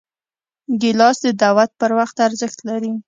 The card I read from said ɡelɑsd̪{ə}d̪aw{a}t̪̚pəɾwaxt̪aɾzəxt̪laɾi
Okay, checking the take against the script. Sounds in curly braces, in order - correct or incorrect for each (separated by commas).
correct, correct